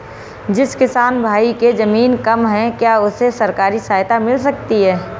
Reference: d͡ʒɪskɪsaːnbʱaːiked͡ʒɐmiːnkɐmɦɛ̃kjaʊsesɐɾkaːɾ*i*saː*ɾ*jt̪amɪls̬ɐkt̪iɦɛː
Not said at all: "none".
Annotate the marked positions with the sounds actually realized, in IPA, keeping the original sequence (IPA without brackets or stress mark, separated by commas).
i, none